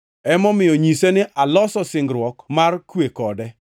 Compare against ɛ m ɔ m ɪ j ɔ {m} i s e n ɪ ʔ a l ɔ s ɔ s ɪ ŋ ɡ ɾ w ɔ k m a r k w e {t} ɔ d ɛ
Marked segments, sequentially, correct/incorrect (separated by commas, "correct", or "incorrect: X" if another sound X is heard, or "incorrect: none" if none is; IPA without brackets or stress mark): incorrect: ɲ, incorrect: k